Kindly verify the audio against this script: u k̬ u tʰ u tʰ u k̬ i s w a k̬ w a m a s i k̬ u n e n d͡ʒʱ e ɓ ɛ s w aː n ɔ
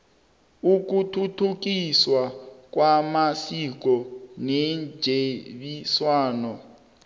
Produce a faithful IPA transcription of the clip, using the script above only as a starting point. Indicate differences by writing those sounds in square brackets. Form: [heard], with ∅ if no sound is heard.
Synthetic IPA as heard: u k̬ u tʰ u tʰ u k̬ i s w a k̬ w a m a s i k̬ [ɔ] n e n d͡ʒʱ e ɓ [i] s w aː n ɔ